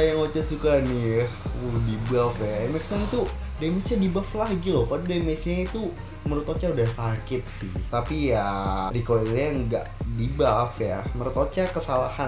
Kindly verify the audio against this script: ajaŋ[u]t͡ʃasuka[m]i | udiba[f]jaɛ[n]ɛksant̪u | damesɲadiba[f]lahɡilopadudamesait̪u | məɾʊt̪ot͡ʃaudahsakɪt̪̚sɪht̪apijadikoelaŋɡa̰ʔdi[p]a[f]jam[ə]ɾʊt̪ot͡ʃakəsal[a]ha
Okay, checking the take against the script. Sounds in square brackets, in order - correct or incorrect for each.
incorrect: o, incorrect: n, correct, incorrect: m, correct, incorrect: b, correct, correct, correct

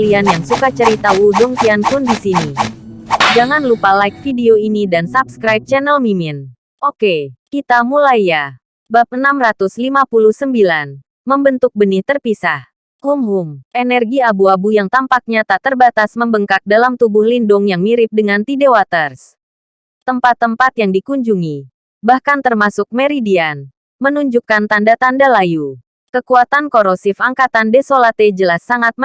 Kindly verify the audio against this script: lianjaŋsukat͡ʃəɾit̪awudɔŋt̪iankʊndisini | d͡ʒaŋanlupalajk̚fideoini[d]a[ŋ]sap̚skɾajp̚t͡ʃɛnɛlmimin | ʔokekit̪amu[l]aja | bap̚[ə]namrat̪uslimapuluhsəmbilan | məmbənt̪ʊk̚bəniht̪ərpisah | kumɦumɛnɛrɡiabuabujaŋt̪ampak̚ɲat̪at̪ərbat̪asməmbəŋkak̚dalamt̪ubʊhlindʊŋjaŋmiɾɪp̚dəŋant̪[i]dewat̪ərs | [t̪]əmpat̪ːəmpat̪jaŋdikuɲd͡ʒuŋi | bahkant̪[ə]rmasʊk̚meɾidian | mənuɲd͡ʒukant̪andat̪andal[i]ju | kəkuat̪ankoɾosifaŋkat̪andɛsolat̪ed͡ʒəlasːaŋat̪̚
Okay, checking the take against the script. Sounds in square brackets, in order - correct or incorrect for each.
correct, incorrect: n, correct, correct, correct, correct, correct, incorrect: a

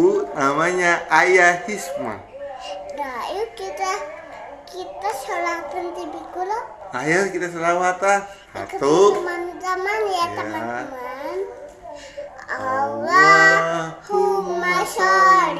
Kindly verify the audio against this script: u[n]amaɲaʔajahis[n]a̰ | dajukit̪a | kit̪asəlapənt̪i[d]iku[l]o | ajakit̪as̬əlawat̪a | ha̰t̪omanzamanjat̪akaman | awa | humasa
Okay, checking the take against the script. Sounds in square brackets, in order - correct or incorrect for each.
correct, incorrect: m, incorrect: b, correct

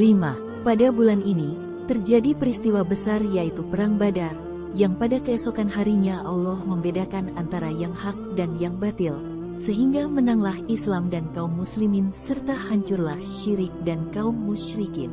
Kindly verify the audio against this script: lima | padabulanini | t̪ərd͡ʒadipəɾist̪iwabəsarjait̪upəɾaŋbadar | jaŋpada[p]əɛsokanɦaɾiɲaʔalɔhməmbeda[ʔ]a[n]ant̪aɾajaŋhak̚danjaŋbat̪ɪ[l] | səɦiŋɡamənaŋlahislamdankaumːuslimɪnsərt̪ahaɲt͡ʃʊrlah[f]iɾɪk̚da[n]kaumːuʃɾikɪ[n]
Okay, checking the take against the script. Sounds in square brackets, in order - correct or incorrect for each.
incorrect: k, incorrect: k, correct, correct, incorrect: ʃ, correct, correct

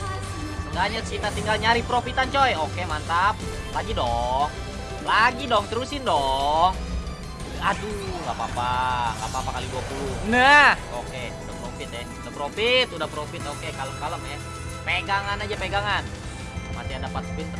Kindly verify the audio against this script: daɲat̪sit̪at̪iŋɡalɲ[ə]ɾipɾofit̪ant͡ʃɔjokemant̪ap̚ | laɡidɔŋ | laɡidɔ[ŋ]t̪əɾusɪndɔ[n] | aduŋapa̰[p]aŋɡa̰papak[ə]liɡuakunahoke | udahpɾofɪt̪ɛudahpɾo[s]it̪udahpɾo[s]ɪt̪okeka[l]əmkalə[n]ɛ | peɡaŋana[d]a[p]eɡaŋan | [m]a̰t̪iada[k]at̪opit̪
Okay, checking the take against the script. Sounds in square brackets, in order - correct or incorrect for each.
incorrect: a, correct, incorrect: ŋ, correct, incorrect: a, incorrect: f, incorrect: f, correct, incorrect: m, incorrect: d͡ʒ, correct, correct, incorrect: p

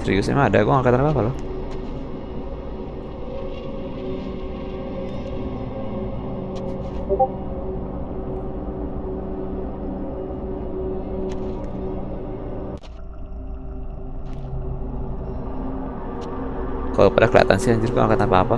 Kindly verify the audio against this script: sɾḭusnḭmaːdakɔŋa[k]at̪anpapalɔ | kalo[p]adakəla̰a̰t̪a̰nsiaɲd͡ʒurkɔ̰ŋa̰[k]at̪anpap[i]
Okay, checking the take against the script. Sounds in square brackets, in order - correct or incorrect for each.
correct, correct, correct, incorrect: a

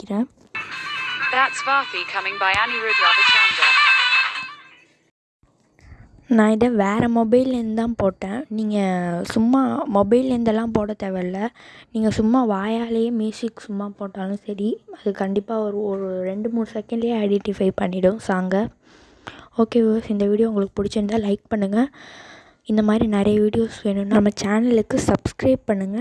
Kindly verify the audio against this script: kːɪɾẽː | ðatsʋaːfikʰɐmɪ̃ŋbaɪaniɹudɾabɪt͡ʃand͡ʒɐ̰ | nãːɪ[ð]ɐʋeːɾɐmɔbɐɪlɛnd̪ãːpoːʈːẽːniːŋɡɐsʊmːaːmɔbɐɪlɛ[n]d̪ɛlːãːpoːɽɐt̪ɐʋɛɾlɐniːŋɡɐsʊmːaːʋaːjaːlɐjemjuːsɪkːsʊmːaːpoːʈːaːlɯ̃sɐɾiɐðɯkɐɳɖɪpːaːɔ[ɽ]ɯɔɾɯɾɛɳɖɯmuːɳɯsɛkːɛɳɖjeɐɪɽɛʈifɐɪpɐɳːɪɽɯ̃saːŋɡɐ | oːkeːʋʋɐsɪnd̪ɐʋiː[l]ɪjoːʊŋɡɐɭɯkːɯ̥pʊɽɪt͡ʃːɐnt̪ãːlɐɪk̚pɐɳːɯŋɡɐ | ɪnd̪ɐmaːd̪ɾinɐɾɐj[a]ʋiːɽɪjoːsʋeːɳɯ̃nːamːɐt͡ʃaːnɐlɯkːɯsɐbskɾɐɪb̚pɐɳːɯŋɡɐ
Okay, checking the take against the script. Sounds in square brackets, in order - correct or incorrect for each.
correct, correct, incorrect: ɾ, incorrect: ɽ, incorrect: ɐ

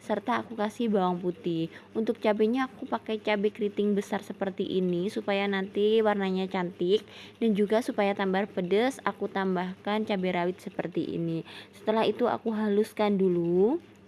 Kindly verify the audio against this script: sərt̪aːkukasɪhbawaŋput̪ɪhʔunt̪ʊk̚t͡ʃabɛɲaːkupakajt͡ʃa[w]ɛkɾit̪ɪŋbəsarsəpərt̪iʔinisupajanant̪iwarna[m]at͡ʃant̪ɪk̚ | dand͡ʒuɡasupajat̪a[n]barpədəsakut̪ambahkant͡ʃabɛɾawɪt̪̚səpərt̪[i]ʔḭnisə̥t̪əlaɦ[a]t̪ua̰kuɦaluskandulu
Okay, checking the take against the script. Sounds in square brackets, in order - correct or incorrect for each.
incorrect: b, incorrect: ɲ, incorrect: m, correct, incorrect: i

